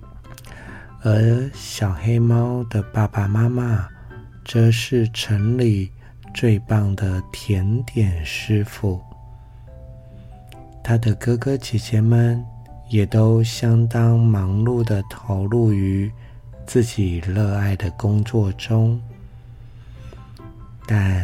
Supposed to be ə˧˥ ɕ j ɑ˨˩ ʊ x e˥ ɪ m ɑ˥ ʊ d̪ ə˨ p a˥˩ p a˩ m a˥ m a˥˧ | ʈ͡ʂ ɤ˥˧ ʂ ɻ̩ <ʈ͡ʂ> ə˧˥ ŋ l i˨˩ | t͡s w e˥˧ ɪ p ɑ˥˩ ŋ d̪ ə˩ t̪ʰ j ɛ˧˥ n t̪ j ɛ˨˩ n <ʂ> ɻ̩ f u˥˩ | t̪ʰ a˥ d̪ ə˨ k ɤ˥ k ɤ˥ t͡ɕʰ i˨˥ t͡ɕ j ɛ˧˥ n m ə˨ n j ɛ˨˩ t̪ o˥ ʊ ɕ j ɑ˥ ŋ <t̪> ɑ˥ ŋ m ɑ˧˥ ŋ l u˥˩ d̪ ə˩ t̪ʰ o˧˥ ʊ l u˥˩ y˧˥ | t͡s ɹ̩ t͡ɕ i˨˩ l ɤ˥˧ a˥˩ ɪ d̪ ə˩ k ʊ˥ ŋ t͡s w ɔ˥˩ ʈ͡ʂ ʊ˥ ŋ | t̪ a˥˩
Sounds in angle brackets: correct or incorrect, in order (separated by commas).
incorrect, correct, correct